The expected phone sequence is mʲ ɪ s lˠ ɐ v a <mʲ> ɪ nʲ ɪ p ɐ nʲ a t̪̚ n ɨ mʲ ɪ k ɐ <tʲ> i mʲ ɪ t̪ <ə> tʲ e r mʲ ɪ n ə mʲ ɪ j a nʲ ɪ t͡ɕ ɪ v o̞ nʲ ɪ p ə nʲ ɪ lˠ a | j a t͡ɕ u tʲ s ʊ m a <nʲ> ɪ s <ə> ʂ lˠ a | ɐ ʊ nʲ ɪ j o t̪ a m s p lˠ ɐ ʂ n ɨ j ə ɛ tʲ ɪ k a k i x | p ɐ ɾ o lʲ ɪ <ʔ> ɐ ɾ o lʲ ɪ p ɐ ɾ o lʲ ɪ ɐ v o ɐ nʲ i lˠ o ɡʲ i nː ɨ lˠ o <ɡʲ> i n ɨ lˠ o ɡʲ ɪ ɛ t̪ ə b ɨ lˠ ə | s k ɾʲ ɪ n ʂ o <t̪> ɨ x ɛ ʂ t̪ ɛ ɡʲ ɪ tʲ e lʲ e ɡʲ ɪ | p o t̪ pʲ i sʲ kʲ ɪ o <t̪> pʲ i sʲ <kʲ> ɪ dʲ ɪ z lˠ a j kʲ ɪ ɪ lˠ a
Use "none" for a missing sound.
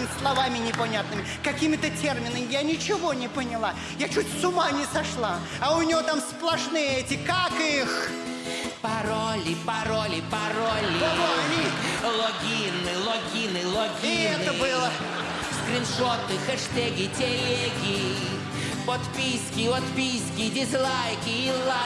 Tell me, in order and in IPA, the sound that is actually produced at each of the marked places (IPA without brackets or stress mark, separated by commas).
mʲ, kʲ, ə, nʲ, ɐ, p, ɡʲ, t̪, t̪, kʲ